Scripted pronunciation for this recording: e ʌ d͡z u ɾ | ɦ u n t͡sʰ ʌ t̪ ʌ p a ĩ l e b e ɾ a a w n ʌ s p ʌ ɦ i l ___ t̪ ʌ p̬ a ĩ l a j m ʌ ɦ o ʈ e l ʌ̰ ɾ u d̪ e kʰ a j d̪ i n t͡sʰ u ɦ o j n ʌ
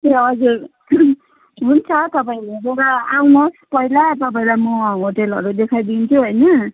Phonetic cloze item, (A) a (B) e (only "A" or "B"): A